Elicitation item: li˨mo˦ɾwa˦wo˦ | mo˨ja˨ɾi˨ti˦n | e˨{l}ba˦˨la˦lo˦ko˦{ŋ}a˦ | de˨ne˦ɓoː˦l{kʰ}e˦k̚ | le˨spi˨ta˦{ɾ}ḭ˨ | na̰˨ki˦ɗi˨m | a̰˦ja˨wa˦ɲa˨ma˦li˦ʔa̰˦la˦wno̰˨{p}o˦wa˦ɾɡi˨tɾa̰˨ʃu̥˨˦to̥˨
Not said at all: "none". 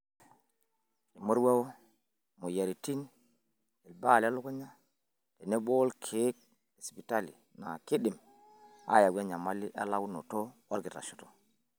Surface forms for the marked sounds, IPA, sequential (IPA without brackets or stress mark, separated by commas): l, ɲ, kʰ, l, t